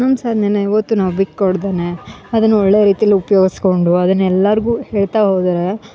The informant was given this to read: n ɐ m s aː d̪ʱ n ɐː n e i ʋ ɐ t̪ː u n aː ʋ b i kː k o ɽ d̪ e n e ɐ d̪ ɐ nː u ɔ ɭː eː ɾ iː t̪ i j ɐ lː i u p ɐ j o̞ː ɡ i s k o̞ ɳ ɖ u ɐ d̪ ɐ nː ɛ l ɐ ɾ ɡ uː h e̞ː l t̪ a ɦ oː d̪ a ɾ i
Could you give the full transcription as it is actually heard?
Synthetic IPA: n ɐ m s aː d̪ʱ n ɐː n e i ʋ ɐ t̪ː u n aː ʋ b i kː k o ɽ d̪ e n e ɐ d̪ ɐ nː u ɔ ɭː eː ɾ iː t̪ i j ɐ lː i u p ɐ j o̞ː ɡ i s k o̞ ɳ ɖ u ɐ d̪ ɐ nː ɛ lː ɐ ɾ ɡ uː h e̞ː ɭ t̪ a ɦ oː d̪ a ɾ e